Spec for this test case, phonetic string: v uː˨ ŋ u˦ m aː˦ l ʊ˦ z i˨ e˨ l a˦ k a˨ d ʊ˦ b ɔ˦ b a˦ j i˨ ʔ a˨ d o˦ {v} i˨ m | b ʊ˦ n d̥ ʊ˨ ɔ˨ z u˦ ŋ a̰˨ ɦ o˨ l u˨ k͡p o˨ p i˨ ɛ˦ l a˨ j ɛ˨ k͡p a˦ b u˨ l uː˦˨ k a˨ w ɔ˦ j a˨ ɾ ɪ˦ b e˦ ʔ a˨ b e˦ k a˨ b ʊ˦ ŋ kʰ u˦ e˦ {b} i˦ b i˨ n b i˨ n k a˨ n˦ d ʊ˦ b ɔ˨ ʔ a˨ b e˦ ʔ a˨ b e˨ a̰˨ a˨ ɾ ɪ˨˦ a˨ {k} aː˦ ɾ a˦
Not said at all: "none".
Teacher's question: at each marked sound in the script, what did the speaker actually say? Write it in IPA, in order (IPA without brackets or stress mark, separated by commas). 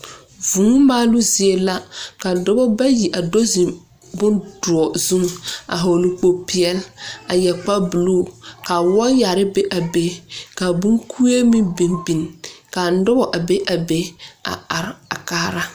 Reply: z, m, k